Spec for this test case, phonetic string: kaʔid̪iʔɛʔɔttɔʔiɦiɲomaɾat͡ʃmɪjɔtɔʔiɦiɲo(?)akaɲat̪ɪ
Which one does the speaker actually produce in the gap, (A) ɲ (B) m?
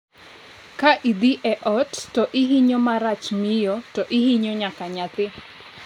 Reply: A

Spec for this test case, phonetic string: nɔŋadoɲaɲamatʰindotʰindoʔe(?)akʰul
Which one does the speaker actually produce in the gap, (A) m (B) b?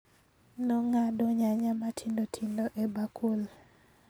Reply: B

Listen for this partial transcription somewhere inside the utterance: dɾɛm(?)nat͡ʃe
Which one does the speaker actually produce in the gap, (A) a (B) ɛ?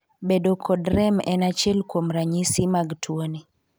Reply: B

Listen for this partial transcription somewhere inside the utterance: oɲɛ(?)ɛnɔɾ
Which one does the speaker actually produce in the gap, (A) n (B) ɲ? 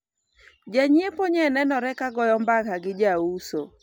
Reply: A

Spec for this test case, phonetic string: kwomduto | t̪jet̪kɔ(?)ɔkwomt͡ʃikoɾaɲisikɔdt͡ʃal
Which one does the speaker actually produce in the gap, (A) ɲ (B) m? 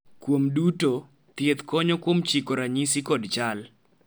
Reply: A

